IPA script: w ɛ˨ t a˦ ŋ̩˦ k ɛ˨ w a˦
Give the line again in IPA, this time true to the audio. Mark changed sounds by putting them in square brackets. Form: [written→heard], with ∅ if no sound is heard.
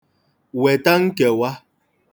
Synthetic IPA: w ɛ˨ t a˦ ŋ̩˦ k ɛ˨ w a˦